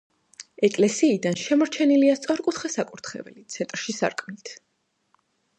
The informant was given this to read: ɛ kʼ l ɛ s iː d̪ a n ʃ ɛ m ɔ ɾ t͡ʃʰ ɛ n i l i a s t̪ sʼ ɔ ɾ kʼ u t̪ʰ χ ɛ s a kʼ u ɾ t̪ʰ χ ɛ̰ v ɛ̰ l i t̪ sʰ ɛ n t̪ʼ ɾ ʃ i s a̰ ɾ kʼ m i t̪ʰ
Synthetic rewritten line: ɛ kʼ l ɛ s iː d̪ a n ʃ ɛ m ɔ ɾ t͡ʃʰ ɛ n i l i a s t̪ sʼ ɔ ɾ kʼ u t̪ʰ χ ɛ s a kʼ u ɾ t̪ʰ χ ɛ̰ v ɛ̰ l i t̪ sʰ ɛ n t̪ʼ ɾ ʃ i s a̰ ɾ kʼ m i t̪ʰ

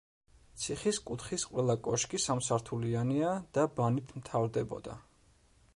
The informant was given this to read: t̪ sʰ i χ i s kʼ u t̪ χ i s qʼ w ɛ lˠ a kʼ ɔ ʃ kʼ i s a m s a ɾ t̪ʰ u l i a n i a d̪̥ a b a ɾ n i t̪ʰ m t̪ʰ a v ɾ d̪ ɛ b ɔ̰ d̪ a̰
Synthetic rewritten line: t̪ sʰ i χ i s kʼ u t̪ χ i s qʼ w ɛ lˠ a kʼ ɔ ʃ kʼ i s a m s a ɾ t̪ʰ u l i a n i a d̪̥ a b a n i t̪ʰ m t̪ʰ a v ɾ d̪ ɛ b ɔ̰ d̪ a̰

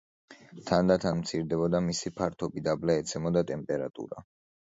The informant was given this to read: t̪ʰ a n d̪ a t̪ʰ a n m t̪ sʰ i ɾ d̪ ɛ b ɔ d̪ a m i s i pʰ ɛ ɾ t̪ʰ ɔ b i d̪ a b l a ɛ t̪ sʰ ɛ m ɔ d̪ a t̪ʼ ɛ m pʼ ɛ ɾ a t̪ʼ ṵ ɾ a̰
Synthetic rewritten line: t̪ʰ a n d̪ a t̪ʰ a n m t̪ sʰ i ɾ d̪ ɛ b ɔ d̪ a m i s i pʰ a ɾ t̪ʰ ɔ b i d̪ a b l a ɛ t̪ sʰ ɛ m ɔ d̪ a t̪ʼ ɛ m pʼ ɛ ɾ a t̪ʼ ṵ ɾ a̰

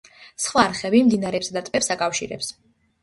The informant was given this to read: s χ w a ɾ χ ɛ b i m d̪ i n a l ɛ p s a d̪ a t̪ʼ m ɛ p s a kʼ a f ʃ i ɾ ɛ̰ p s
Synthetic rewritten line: s χ w a ɾ χ ɛ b i m d̪ i n a ɾ ɛ p s a d̪ a t̪ʼ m ɛ p s a kʼ a f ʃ i ɾ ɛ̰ p s

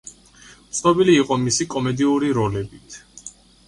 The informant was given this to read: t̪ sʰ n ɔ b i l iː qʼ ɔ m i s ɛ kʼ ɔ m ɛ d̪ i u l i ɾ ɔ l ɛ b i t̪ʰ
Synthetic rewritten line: t̪ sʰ n ɔ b i l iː qʼ ɔ m i s i kʼ ɔ m ɛ d̪ i u ɾ i ɾ ɔ l ɛ b i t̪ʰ

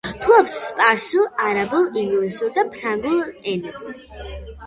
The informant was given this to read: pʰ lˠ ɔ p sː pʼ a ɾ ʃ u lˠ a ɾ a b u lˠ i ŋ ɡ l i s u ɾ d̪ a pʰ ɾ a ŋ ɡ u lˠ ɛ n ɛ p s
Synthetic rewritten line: pʰ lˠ ɔ p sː pʼ a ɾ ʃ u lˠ a ɾ a b u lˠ i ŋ ɡ l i s u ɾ d̪ a pʰ ɾ a ŋ ɡ u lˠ ɛ n ɛ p s

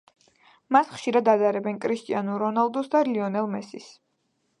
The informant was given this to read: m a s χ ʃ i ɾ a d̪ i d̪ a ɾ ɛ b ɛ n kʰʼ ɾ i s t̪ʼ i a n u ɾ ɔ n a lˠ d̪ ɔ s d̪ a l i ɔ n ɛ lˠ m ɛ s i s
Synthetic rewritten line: m a s χ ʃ i ɾ a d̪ a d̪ a ɾ ɛ b ɛ n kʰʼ ɾ i s t̪ʼ i a n u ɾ ɔ n a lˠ d̪ ɔ s d̪ a l i ɔ n ɛ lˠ m ɛ s i s

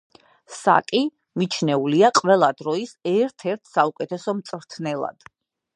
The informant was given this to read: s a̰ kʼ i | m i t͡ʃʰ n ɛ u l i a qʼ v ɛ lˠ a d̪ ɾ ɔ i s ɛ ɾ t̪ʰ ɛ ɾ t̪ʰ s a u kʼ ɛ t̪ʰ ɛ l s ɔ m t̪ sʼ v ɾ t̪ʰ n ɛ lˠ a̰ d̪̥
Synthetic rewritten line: s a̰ kʼ i | m i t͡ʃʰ n ɛ u l i a qʼ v ɛ lˠ a d̪ ɾ ɔ i s ɛ ɾ t̪ʰ ɛ ɾ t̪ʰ s a u kʼ ɛ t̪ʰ ɛ s ɔ m t̪ sʼ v ɾ t̪ʰ n ɛ lˠ a̰ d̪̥

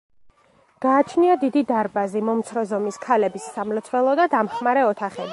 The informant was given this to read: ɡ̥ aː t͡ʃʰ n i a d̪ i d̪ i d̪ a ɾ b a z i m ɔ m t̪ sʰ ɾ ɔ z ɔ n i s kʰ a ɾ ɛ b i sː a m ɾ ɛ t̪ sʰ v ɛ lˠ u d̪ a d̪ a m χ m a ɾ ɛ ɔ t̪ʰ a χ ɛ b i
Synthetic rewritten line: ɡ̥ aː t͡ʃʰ n i a d̪ i d̪ i d̪ a ɾ b a z i m ɔ m t̪ sʰ ɾ ɔ z ɔ m i s kʰ a l ɛ b i sː a m l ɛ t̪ sʰ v ɛ lˠ ɔ d̪ a d̪ a m χ m a ɾ ɛ ɔ t̪ʰ a χ ɛ b i

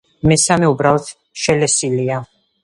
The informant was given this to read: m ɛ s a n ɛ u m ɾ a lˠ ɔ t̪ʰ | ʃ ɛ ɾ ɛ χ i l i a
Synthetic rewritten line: m ɛ s a m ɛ u b ɾ a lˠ ɔ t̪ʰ | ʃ ɛ l ɛ s i l i a

